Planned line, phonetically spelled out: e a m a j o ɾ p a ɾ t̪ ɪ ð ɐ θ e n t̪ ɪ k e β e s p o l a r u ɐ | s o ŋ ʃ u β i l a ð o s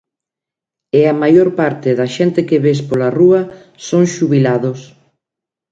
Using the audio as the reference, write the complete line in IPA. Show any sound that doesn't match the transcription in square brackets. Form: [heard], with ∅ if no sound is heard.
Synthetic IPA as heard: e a m a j o ɾ p a ɾ t̪ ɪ ð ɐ [ʃ] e n t̪ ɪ k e β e s p o l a r u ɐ | s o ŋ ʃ u β i l a ð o s

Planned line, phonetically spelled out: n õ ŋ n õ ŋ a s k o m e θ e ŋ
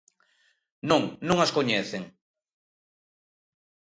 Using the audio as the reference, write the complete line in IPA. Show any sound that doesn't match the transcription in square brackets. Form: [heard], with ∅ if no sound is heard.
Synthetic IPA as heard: n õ ŋ n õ ŋ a s k o [ɲ] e θ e ŋ

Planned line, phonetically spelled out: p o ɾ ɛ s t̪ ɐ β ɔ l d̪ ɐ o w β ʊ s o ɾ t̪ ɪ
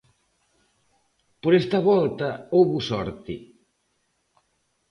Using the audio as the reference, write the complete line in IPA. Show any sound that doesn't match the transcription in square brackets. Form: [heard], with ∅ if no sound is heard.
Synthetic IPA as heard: p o ɾ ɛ s t̪ ɐ β ɔ l [t̪] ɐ o w β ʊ s [ɔ] ɾ t̪ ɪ

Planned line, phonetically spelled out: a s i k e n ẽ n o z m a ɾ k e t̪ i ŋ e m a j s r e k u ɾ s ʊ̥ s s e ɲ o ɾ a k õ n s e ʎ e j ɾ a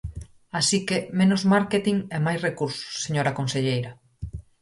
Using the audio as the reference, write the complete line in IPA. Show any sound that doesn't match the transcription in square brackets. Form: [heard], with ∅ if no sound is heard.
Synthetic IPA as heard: a s i k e [m] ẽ n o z m a ɾ k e t̪ i ŋ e m a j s r e k u ɾ s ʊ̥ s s e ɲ o ɾ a k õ n s e ʎ e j ɾ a

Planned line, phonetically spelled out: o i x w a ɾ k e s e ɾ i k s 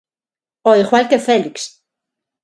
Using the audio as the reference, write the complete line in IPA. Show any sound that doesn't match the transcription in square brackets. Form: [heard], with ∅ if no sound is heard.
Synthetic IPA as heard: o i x w a [l] k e [f] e [l] i k s

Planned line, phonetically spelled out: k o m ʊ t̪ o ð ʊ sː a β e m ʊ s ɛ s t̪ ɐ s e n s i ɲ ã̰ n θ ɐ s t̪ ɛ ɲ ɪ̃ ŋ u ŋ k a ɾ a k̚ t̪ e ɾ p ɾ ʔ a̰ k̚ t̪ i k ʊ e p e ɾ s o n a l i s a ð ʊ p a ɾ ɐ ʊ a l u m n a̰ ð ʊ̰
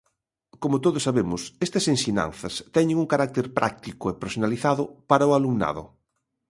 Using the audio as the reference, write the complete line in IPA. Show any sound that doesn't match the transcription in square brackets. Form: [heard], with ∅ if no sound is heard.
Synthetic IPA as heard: k o m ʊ t̪ o ð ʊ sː a β e m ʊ s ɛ s t̪ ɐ s e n s i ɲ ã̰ n θ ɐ s t̪ ɛ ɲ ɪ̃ ŋ u ŋ k a ɾ a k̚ t̪ e ɾ p ɾ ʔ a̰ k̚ t̪ i k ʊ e p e ɾ s o n a l i [θ] a ð ʊ p a ɾ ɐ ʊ a l u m n a̰ ð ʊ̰

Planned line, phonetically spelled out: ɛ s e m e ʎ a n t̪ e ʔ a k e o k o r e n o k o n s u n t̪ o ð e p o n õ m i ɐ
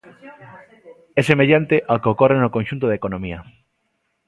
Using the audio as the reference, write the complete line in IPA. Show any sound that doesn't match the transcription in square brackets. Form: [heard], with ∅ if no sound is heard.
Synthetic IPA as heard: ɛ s e m e ʎ a n t̪ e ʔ a k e o k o r e n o k o n [ʃ] u n t̪ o ð e [k] o n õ m i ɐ

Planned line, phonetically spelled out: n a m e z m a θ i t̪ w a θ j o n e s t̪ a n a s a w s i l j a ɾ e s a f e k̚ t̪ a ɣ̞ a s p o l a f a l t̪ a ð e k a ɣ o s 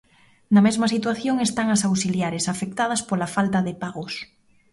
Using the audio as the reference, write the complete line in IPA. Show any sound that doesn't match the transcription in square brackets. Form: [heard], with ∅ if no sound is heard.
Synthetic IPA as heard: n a m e z m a [s] i t̪ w a θ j o [ŋ] e s t̪ a [ŋ] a s a w s i l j a ɾ e s a f e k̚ t̪ a [ð̞] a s p o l a f a l t̪ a ð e [p] a ɣ o s

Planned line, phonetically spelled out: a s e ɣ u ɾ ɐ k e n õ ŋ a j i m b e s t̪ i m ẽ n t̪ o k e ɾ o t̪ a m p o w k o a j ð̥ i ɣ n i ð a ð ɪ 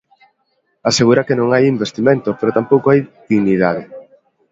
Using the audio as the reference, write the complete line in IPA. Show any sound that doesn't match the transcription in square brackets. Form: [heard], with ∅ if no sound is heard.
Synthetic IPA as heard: a s e ɣ u ɾ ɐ k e n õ ŋ a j i m b e s t̪ i m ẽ n t̪ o [p] e ɾ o t̪ a m p o w k o a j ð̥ i ɣ n i ð a ð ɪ

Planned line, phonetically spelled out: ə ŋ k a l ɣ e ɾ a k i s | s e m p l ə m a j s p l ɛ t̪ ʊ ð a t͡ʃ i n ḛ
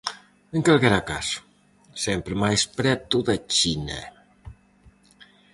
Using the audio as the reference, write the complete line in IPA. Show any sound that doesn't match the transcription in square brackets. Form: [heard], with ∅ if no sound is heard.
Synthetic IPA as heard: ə ŋ k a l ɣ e ɾ a k [a] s | s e m p [ɾ] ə m a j s p [ɾ] ɛ t̪ [u] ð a t͡ʃ i n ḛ

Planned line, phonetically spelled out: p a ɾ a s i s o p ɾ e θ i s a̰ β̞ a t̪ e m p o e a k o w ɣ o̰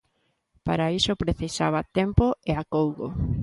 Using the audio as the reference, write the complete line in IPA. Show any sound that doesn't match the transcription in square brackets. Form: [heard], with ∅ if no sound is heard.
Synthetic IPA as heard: p a ɾ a [∅] i s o p ɾ e θ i s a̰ β̞ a t̪ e m p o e a k o w ɣ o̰

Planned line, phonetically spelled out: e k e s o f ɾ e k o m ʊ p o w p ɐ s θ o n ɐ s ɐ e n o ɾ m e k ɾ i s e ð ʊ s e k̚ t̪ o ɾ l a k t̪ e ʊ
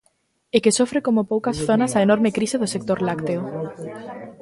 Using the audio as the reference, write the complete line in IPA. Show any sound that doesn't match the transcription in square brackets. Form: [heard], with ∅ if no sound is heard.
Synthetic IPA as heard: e k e s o f ɾ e k o m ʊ p o w [k] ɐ s θ o n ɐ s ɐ e n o ɾ m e k ɾ i s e ð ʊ s e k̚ t̪ o ɾ l a k t̪ e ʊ

